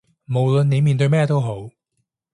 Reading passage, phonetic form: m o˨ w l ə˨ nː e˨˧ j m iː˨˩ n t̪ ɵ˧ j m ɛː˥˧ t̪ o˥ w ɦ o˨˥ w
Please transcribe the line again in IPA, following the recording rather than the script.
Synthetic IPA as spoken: m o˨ w l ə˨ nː e˨˧ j m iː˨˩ n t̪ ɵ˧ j m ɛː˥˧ t̪ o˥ w ɦ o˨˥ w